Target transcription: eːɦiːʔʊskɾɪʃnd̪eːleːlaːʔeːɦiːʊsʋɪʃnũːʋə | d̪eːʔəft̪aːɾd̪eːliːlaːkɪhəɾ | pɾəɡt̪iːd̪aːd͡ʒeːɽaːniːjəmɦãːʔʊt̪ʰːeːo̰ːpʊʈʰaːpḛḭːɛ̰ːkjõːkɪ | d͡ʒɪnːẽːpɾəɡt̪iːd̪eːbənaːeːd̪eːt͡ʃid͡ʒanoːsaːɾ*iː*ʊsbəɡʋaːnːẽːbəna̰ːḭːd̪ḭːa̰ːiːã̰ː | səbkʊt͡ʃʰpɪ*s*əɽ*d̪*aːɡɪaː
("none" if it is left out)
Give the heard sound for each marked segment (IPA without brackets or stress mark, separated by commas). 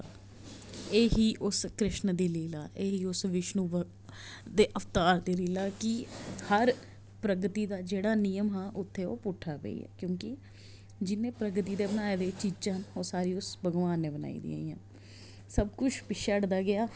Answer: iː, ʃ, d̪